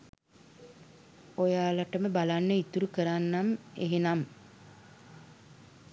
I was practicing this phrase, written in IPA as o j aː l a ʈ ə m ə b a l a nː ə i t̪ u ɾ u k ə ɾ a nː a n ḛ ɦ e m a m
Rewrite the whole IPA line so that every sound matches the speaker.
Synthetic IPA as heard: o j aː l a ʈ ə m ə b a l a nː ə i t̪ u ɾ u k ə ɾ a nː a m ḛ ɦ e n a m